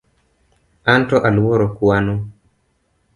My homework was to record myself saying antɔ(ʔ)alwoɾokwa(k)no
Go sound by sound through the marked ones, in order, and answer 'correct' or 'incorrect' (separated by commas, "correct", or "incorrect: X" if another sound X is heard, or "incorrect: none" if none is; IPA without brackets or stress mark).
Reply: correct, incorrect: none